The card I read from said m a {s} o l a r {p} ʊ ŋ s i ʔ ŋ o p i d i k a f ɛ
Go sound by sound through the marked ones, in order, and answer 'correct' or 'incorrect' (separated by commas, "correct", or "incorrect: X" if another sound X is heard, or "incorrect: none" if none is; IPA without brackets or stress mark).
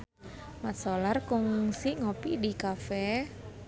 correct, incorrect: k